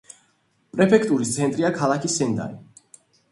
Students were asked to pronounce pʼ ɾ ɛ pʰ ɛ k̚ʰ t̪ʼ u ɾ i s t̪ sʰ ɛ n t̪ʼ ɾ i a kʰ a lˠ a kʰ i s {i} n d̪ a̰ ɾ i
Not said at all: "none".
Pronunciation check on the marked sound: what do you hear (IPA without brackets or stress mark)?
ɛ